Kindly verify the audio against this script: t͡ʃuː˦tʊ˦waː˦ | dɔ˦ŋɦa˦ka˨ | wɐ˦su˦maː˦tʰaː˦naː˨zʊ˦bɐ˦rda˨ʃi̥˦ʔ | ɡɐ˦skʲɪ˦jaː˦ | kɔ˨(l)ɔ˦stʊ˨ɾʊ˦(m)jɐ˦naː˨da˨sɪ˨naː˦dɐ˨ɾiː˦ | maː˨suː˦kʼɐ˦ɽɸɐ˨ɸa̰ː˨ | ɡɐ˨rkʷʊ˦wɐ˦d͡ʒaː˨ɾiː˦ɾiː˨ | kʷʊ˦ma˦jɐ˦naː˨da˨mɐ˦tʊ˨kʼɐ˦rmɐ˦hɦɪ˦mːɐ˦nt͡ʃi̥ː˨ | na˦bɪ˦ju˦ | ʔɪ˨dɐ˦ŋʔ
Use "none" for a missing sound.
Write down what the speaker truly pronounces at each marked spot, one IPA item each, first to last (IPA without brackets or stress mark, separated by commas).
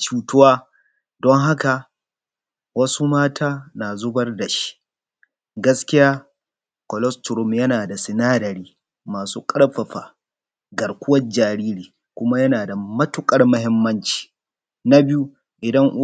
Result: l, m